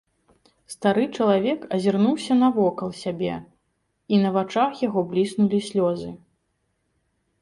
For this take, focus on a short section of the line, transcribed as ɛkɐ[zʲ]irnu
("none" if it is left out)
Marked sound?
zʲ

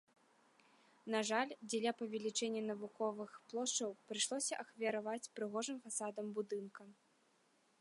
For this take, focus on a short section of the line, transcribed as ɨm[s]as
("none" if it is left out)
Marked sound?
f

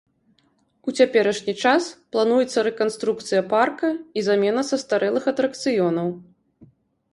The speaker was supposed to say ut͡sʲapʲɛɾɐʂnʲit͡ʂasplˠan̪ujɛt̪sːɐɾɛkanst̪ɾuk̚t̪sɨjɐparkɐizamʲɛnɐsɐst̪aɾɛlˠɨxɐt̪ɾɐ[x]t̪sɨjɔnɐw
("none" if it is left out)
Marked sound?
k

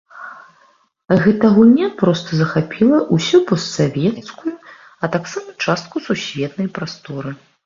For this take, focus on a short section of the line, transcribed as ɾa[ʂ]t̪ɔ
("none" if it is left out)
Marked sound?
s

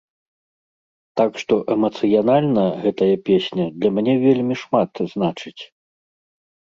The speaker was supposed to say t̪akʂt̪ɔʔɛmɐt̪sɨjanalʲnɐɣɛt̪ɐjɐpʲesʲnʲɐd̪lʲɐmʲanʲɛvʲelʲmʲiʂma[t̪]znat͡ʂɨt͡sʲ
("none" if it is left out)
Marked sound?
t̪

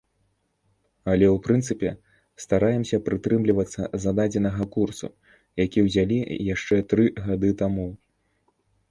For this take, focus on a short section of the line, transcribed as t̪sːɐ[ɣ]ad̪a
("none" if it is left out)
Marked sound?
z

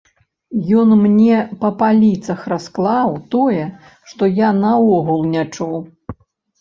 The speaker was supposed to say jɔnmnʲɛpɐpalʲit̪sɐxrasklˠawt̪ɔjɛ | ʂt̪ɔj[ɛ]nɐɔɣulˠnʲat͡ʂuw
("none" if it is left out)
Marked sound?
a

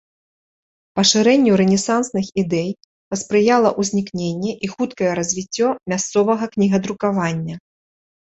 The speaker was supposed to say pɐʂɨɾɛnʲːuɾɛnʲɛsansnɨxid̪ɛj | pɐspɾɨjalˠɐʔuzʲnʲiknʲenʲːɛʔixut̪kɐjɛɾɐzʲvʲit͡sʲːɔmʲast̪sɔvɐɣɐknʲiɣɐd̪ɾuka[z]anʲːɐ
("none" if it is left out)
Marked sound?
v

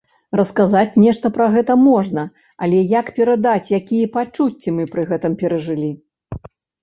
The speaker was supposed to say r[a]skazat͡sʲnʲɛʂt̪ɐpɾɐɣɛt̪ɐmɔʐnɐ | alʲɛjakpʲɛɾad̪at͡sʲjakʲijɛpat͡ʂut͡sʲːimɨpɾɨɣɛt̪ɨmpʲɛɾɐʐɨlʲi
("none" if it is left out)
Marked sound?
ɐ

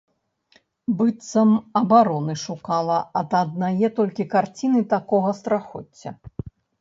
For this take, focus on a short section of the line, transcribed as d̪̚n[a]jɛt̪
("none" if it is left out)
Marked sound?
a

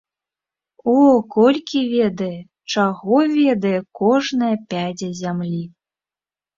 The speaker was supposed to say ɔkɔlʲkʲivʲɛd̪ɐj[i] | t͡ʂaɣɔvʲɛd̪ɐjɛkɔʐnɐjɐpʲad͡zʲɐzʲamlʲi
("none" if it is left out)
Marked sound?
ɛ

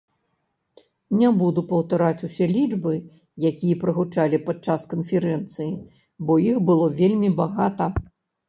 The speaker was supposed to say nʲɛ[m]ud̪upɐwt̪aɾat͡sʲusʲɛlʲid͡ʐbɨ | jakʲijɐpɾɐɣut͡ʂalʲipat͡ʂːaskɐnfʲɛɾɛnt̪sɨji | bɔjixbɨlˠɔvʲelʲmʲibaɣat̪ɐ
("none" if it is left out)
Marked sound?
b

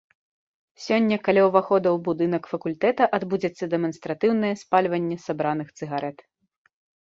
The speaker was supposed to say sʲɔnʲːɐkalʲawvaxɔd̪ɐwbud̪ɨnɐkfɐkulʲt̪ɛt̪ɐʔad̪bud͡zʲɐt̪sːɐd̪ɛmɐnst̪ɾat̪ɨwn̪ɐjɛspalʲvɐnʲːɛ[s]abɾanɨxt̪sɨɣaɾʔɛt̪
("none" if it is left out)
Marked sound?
s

